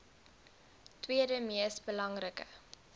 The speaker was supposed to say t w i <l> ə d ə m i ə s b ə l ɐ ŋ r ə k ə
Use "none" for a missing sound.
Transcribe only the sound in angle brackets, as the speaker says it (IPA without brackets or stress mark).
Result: none